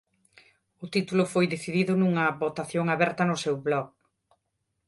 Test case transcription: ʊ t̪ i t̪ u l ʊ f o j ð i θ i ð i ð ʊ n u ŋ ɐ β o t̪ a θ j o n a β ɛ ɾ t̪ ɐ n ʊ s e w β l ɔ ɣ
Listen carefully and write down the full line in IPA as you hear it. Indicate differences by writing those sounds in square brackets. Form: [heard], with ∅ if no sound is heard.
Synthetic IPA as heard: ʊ t̪ i t̪ u l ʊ f o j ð [e] θ i ð i ð ʊ n u ŋ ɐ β o t̪ a θ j o [ŋ] a β ɛ ɾ t̪ ɐ n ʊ s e w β l ɔ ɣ